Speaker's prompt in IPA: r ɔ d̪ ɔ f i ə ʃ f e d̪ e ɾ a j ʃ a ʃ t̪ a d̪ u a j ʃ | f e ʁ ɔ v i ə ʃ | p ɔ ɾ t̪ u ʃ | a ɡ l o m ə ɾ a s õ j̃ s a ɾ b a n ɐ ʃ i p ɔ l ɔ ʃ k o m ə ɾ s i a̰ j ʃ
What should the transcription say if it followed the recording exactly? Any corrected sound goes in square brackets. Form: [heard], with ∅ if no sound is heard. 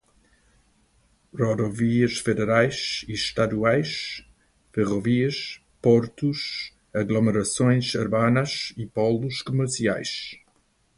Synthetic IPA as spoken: r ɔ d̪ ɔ [v] i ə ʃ f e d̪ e ɾ a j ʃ [i] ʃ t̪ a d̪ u a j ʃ | f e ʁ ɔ v i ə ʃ | p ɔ ɾ t̪ u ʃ | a ɡ l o m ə ɾ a s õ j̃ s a ɾ b a n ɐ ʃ i p ɔ l [u] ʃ k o m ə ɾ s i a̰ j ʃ